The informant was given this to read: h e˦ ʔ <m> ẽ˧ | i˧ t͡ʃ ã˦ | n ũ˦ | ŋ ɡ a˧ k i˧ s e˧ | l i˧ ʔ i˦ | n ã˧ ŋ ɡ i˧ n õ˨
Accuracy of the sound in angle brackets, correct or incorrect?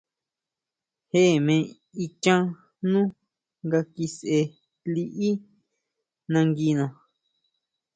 correct